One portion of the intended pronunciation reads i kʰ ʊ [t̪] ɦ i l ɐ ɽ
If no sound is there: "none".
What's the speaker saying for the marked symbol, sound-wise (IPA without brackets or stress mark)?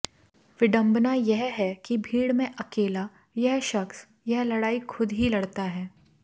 d̪